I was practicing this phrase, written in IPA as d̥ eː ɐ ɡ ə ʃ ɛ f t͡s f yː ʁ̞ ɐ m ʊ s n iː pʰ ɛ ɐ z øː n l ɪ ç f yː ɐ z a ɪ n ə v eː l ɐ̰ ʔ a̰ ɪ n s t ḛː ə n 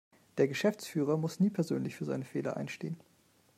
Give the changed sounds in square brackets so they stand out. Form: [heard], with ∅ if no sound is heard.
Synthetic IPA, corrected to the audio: d̥ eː ɐ ɡ ə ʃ ɛ f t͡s f yː ʁ̞ ɐ m ʊ s n iː pʰ ɛ ɐ z øː n l ɪ ç f yː ɐ z a ɪ n ə [f] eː l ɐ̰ ʔ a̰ ɪ n [ʃ] t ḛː ə n